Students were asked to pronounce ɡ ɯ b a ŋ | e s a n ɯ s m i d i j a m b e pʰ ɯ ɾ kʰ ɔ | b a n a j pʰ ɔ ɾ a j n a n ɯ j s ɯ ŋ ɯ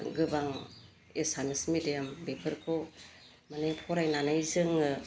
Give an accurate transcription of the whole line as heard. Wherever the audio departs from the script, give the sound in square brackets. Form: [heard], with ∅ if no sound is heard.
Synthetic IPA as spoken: ɡ ɯ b a ŋ | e s a n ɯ s m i d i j a m b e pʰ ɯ ɾ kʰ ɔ | [m] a n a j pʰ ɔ ɾ a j n a n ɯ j [z] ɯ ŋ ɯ